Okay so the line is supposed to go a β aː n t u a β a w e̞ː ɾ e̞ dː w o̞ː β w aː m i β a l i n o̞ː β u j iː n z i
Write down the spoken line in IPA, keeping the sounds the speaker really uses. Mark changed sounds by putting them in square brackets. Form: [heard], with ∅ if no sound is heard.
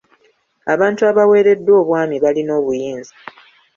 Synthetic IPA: a β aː n t u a β a w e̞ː ɾ e̞ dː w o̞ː β w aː m i β a l i n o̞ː β u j iː n z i